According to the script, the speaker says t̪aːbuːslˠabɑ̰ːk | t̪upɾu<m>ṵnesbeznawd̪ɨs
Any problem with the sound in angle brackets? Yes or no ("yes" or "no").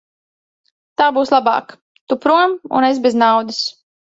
no